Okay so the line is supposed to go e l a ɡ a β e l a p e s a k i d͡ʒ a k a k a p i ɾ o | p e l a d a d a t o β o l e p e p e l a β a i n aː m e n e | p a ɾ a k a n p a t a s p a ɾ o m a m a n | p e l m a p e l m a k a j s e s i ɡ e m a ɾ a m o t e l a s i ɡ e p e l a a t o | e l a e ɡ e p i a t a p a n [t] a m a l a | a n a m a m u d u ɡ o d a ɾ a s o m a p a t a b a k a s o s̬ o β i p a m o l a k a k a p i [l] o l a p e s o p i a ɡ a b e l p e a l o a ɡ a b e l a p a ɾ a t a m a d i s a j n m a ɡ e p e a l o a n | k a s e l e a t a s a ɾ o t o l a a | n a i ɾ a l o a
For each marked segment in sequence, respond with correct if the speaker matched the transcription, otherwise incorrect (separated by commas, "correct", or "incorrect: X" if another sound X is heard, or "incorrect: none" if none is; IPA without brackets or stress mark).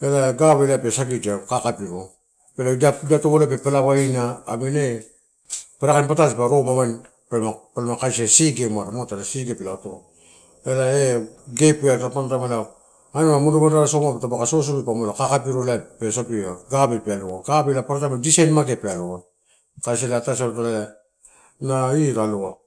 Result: correct, incorrect: ɾ